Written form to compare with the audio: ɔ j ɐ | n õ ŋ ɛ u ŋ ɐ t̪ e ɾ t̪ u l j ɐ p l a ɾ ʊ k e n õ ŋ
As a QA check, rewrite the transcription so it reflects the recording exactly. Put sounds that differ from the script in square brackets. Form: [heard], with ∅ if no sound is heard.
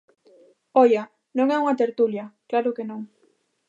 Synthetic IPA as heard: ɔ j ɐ | n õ ŋ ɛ u ŋ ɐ t̪ e ɾ t̪ u l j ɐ [k] l a ɾ ʊ k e n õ ŋ